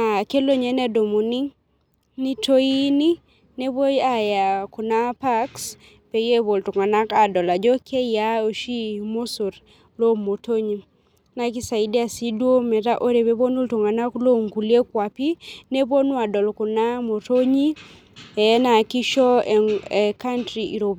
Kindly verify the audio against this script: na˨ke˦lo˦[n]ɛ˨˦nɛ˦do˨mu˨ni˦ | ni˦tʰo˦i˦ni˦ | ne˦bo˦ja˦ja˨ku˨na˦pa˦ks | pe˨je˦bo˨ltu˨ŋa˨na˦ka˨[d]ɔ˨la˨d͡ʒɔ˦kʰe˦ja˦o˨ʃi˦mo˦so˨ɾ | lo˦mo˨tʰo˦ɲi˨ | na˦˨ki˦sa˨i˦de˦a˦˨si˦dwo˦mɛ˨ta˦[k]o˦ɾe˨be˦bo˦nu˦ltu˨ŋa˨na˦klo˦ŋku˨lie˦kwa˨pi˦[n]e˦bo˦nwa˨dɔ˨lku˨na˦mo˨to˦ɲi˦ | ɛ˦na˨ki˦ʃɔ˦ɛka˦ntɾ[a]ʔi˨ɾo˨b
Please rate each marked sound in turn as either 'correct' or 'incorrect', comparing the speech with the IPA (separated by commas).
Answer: incorrect, correct, incorrect, correct, incorrect